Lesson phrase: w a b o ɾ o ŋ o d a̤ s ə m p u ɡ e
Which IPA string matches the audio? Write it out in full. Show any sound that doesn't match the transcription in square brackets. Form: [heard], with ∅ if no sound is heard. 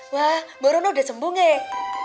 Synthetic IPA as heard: w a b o ɾ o [n] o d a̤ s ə m [b] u [ŋ] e